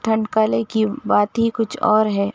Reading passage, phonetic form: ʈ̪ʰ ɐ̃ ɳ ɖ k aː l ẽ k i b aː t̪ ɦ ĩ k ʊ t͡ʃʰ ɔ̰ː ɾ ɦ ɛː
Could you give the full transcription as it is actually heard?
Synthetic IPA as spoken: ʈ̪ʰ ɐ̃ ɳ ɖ k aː l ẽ k i b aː t̪ ɦ i k ʊ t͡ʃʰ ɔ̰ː ɾ ɦ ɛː